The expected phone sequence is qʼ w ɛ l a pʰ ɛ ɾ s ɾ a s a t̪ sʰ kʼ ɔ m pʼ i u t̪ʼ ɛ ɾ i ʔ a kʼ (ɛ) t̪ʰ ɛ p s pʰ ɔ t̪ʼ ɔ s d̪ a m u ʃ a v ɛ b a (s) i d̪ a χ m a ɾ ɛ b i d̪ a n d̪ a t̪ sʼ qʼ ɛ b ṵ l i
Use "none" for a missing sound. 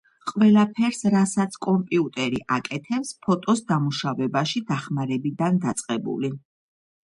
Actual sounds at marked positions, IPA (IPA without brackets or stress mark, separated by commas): ɛ, ʃ